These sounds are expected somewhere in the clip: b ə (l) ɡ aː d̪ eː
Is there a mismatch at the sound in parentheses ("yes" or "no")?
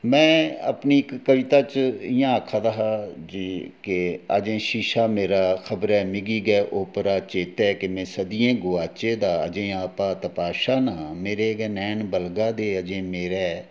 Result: no